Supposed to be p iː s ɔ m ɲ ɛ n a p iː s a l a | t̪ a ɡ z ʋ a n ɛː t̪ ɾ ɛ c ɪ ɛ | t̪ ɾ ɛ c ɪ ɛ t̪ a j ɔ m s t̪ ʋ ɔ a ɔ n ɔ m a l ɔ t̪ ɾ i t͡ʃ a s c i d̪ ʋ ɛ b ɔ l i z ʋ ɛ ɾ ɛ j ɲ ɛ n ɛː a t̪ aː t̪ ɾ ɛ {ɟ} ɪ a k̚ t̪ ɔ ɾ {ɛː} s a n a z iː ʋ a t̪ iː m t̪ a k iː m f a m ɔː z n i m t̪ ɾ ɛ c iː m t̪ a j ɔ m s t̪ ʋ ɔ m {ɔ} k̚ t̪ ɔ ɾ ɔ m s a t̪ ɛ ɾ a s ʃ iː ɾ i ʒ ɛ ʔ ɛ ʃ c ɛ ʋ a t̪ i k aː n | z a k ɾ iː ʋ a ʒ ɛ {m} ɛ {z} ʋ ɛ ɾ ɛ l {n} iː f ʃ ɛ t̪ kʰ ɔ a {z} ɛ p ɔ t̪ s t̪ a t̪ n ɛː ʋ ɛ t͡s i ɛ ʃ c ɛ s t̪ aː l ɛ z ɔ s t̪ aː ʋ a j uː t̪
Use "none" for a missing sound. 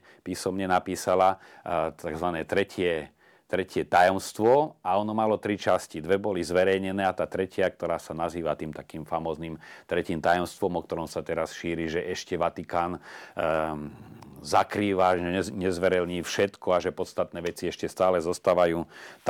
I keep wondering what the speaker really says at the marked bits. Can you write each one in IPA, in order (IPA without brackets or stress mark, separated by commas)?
c, aː, ɔ, ɲ, z, ɲ, ʒ